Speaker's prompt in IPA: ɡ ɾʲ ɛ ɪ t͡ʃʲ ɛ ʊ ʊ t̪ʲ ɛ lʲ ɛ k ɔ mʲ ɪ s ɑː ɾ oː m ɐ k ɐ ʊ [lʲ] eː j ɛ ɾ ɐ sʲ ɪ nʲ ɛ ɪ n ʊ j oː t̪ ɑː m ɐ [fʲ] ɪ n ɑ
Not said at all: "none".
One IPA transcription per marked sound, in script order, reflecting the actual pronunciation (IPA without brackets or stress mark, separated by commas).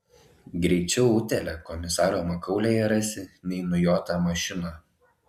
lʲ, ʃʲ